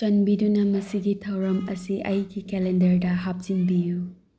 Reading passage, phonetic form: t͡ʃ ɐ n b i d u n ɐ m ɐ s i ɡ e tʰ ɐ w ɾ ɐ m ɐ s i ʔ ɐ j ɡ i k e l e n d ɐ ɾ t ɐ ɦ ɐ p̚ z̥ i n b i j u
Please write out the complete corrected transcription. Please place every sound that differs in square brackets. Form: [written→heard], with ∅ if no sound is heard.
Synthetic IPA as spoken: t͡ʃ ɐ n b i d u n ɐ m ɐ s i ɡ [e→i] tʰ ɐ w ɾ ɐ m ɐ s i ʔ ɐ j ɡ i k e l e n d ɐ ɾ [t→d] ɐ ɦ [ɐ→a] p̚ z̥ i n b i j u